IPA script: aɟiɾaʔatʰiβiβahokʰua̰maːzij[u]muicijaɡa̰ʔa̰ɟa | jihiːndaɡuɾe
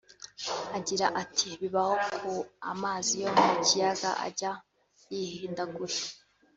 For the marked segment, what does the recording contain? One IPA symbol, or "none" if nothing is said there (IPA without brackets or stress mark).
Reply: o